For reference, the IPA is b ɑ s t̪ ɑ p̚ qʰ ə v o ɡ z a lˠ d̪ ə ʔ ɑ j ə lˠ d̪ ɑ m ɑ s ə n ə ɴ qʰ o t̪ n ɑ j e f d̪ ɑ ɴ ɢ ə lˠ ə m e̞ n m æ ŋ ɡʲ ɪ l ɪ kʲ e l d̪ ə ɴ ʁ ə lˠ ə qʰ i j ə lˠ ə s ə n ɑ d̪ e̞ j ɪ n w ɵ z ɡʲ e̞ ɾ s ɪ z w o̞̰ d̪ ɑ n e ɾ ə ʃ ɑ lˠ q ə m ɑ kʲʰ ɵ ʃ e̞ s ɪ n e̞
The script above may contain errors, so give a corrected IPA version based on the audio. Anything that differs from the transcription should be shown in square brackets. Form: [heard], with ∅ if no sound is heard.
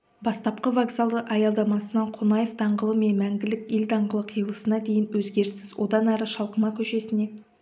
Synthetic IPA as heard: b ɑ s t̪ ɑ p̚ [q] ə v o ɡ z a lˠ d̪ ə ʔ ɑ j [ɑ] lˠ d̪ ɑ m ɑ s ə n [ɑ] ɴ qʰ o [∅] n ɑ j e f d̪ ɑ ɴ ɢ ə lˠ ə m e̞ n m æ ŋ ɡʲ ɪ l ɪ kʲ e l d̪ [ɑ] ɴ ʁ ə lˠ ə qʰ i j ə lˠ ə s ə n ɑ d̪ e̞ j ɪ n w ɵ z ɡʲ e̞ ɾ s ɪ z w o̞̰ d̪ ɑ n [æ] ɾ ə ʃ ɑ lˠ q ə m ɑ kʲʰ ɵ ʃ e̞ s ɪ n e̞

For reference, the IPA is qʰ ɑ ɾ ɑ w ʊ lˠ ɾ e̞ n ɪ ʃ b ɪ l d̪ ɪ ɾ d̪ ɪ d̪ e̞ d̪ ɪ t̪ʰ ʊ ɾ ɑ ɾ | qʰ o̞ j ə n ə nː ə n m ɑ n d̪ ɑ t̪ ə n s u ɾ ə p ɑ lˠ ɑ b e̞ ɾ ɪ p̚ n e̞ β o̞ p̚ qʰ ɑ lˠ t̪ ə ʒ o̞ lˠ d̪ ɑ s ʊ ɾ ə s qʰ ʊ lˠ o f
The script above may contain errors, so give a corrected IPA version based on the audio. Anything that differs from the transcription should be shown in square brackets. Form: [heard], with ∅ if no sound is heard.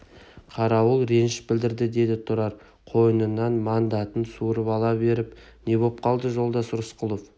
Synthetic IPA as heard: qʰ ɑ ɾ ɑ w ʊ lˠ ɾ e̞ n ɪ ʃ b ɪ l d̪ ɪ ɾ d̪ ɪ d̪ e̞ d̪ ɪ t̪ʰ ʊ ɾ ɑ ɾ | qʰ o̞ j ə n ə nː [ɑ] n m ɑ n d̪ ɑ t̪ ə n s u ɾ ə p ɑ lˠ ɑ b e̞ ɾ ɪ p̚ n e̞ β o̞ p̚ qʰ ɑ lˠ [d̪] ə ʒ o̞ lˠ d̪ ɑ s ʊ ɾ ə s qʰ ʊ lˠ o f

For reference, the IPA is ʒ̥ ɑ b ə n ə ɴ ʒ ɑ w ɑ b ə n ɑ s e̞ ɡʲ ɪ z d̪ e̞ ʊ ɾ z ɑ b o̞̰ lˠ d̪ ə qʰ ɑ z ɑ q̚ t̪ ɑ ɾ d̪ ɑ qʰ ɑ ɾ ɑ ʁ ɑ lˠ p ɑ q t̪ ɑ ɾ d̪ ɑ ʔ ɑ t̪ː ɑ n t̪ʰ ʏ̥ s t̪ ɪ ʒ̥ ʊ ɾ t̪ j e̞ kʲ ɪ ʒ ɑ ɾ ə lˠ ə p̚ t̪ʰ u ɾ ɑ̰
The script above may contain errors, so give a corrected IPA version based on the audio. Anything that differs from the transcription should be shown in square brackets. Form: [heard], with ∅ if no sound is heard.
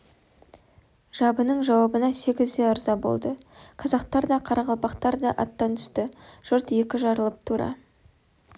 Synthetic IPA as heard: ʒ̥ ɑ b ə n ə ɴ ʒ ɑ w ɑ b ə n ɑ s e̞ ɡʲ ɪ z d̪ e̞ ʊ ɾ z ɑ b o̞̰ lˠ d̪ ə qʰ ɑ z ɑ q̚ t̪ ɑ ɾ d̪ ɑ qʰ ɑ ɾ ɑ ʁ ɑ lˠ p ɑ q t̪ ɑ ɾ d̪ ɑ ʔ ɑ t̪ː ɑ n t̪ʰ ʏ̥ s t̪ ɪ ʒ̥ ʊ ɾ t̪ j e̞ kʲ ɪ ʒ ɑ ɾ ə lˠ ə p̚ t̪ʰ u ɾ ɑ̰

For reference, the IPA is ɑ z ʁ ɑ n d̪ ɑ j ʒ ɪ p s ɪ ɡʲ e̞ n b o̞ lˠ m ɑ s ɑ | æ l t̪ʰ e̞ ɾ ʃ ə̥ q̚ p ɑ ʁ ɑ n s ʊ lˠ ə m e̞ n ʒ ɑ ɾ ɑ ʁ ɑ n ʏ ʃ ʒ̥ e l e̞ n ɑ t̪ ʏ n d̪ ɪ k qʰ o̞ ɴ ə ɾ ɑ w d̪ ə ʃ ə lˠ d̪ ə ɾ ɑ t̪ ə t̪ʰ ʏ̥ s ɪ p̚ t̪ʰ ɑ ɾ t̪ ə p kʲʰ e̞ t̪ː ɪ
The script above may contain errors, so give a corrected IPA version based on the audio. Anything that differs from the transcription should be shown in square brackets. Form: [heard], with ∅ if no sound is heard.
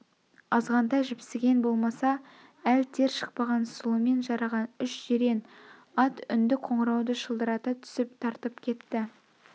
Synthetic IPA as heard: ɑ z ʁ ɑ n d̪ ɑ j ʒ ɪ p s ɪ ɡʲ e̞ n b o̞ lˠ m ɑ s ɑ | æ l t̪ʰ e̞ ɾ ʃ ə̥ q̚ p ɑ ʁ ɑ n s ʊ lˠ ə m e̞ n ʒ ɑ ɾ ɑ ʁ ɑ n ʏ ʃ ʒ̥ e [ɾ] e̞ n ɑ t̪ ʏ n d̪ ɪ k qʰ o̞ ɴ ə ɾ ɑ w d̪ ə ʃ ə lˠ d̪ ə ɾ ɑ t̪ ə t̪ʰ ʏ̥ s ɪ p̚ t̪ʰ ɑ ɾ t̪ ə p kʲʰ e̞ t̪ː ɪ

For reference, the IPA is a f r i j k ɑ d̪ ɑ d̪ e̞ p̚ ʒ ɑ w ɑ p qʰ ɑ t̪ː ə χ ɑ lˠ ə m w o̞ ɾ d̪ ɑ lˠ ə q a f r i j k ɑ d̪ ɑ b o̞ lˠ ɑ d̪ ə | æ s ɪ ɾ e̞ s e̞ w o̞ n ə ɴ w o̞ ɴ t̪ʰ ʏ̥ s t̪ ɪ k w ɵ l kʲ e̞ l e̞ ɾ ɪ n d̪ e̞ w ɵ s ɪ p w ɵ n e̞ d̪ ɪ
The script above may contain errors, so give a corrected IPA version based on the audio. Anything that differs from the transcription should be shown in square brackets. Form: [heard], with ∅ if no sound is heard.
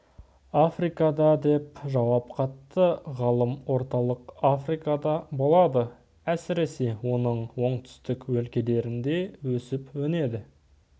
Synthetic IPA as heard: a f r i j k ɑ d̪ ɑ d̪ e̞ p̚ ʒ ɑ w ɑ p qʰ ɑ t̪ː ə [ʁ] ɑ lˠ ə m w o̞ ɾ [t̪] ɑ lˠ ə q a f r i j k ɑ d̪ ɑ b o̞ lˠ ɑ d̪ ə | æ s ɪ ɾ e̞ s e̞ w o̞ n ə ɴ w o̞ ɴ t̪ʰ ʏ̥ s t̪ ɪ k w ɵ l kʲ e̞ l e̞ ɾ ɪ n d̪ e̞ w ɵ s ɪ p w ɵ n e̞ d̪ ɪ

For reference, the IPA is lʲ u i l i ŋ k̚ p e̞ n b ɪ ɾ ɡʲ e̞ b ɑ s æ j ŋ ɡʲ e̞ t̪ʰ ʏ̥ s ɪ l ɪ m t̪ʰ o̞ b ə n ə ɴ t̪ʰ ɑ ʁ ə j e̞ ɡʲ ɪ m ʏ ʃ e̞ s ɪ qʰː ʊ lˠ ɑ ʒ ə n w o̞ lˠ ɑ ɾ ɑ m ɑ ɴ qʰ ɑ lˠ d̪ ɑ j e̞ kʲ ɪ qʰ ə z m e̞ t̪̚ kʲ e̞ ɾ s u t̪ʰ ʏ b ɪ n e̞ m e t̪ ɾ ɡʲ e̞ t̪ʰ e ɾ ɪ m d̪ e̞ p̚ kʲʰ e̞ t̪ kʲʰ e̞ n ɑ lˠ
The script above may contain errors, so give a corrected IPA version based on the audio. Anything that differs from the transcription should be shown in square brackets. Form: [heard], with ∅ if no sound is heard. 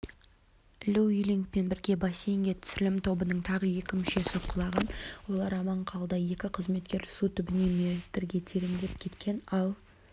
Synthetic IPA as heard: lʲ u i l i ŋ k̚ p e̞ n b ɪ ɾ ɡʲ e̞ b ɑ s [e] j ŋ ɡʲ e̞ t̪ʰ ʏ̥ s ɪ l ɪ m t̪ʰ o̞ b ə n ə ɴ t̪ʰ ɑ ʁ ə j e̞ [kʲ] ɪ m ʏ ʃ e̞ s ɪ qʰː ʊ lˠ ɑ [ʁ] ə n w o̞ lˠ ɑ ɾ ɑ m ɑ ɴ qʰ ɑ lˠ d̪ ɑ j e̞ kʲ ɪ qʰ ə z m e̞ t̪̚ kʲ e̞ ɾ s u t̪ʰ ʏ b ɪ n e̞ m e t̪ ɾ ɡʲ e̞ t̪ʰ e ɾ ɪ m d̪ e̞ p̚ kʲʰ e̞ t̪ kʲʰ e̞ n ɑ lˠ

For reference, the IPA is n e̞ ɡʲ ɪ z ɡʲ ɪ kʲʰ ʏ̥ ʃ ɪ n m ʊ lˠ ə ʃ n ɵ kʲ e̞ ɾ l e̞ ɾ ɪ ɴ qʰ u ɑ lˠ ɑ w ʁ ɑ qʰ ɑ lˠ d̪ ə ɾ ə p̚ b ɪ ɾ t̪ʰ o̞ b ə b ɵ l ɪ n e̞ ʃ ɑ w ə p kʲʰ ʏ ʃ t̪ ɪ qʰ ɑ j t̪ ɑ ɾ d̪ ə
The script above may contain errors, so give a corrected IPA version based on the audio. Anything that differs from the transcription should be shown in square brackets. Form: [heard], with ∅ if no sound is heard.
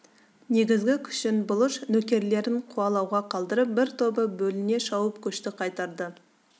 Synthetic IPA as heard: n e̞ ɡʲ ɪ z ɡʲ ɪ kʲʰ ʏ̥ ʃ ɪ n [b] ʊ lˠ ə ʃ n ɵ kʲ e̞ ɾ l e̞ ɾ ɪ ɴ qʰ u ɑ lˠ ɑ w ʁ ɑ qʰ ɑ lˠ d̪ ə ɾ ə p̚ b ɪ ɾ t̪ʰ o̞ b ə b ɵ l ɪ n e̞ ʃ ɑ w ə p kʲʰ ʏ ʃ t̪ ɪ qʰ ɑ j t̪ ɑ ɾ d̪ ə

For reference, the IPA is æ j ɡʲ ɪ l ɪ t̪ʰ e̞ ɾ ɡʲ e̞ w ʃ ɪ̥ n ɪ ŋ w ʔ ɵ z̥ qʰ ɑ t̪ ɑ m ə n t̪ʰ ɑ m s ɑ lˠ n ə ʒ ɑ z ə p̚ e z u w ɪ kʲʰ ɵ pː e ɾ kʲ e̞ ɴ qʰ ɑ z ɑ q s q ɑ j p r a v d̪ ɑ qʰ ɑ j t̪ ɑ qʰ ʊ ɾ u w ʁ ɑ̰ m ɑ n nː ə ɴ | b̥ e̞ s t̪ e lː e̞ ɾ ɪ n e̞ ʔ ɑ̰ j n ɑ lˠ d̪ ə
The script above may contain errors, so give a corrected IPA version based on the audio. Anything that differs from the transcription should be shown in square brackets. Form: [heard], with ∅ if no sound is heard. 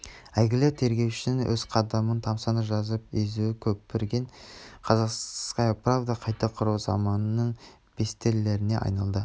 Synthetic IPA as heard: æ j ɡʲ ɪ l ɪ t̪ʰ e̞ ɾ ɡʲ e̞ w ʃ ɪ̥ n ɪ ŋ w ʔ ɵ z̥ qʰ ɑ [d̪] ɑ m ə n t̪ʰ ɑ m s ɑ [∅] n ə ʒ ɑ z ə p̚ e z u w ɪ kʲʰ ɵ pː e ɾ [ɡʲ] e̞ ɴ qʰ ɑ z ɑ q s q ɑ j p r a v d̪ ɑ qʰ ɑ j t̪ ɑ qʰ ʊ ɾ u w [z] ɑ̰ m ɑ n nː ə ɴ | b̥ e̞ s t̪ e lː e̞ ɾ ɪ n e̞ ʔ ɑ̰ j n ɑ lˠ d̪ ə

